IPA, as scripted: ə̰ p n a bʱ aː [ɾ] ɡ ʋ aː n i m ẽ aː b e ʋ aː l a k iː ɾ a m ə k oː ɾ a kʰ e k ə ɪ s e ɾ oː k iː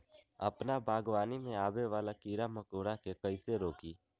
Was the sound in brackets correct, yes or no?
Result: no